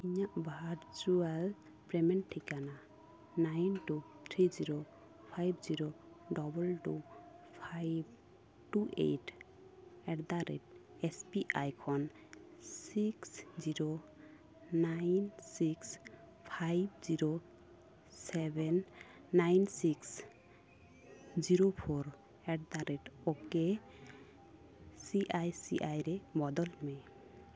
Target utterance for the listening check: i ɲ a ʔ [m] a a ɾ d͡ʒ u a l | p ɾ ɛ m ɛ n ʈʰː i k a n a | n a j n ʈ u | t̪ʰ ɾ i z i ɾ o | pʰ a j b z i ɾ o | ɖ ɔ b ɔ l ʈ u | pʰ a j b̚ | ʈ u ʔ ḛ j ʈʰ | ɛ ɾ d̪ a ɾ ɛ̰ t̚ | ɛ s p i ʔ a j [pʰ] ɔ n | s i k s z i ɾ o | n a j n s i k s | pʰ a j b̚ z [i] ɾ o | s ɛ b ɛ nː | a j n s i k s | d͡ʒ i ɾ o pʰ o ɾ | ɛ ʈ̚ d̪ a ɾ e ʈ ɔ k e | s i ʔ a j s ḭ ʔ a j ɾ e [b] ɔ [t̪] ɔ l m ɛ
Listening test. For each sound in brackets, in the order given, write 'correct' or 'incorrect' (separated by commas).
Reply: incorrect, incorrect, correct, correct, incorrect